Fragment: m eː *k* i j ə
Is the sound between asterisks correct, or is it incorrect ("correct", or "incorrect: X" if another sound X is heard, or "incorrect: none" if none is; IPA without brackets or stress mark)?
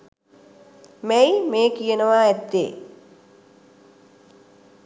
correct